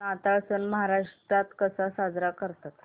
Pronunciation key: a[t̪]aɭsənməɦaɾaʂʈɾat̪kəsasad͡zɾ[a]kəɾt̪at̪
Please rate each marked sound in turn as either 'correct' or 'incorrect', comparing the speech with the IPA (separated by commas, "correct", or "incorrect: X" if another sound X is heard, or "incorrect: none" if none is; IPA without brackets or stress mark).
correct, correct